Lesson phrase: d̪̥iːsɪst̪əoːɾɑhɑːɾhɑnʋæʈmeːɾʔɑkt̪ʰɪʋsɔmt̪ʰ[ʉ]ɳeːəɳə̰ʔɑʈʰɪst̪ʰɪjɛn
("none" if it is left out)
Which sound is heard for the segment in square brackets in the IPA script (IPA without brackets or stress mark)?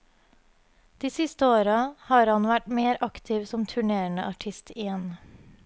ʉ